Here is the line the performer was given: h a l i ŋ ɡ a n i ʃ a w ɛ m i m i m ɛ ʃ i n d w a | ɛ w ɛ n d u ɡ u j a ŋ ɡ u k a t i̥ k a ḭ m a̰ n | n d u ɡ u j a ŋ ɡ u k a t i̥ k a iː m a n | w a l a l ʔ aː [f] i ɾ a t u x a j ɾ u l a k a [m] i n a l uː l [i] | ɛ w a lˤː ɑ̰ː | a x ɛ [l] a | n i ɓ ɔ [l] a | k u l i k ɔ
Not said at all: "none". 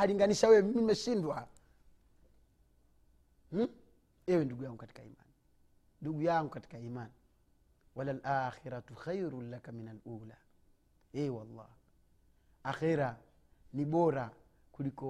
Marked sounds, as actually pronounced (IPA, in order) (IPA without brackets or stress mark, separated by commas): x, m, a, ɾ, ɾ